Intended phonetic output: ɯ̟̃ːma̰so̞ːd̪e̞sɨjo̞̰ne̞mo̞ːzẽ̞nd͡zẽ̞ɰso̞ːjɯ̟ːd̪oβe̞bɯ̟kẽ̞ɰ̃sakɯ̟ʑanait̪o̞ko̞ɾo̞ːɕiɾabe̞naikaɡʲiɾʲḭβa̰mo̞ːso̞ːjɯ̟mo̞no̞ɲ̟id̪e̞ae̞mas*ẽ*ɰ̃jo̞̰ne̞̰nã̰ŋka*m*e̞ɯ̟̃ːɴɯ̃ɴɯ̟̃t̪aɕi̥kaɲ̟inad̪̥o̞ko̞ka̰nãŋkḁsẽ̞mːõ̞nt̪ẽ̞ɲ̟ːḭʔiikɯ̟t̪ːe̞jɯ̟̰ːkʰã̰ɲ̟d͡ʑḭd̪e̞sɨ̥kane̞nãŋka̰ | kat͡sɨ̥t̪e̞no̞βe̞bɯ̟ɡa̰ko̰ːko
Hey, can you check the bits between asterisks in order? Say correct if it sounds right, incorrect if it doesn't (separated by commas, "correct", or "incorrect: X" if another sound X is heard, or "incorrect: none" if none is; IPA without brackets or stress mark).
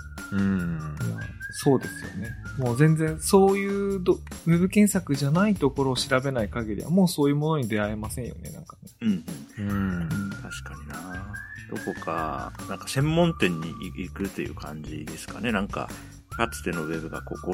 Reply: correct, incorrect: n